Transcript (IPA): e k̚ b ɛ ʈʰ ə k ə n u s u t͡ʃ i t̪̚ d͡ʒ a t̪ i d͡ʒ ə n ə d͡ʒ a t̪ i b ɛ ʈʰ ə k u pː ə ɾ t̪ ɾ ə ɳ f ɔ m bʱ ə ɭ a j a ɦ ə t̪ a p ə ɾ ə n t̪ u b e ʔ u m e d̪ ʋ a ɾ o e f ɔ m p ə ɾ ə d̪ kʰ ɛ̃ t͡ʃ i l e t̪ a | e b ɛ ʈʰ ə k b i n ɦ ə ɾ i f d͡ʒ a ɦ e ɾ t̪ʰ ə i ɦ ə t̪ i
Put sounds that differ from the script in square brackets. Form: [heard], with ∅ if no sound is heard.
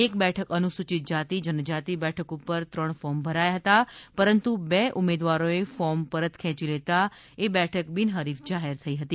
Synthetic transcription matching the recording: e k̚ b ɛ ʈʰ ə k ə n u s u t͡ʃ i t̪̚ d͡ʒ a t̪ i d͡ʒ ə n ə d͡ʒ a t̪ i b ɛ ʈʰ ə k u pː ə ɾ t̪ ɾ ə ɳ f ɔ m bʱ ə [ɾ] a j a ɦ ə t̪ a p ə ɾ ə n t̪ u b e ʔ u m e d̪ ʋ a ɾ o e f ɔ m p ə ɾ ə [t̪] kʰ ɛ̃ t͡ʃ i l e t̪ a | e b ɛ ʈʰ ə k b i n ɦ ə ɾ i f d͡ʒ a ɦ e ɾ t̪ʰ ə i ɦ ə t̪ i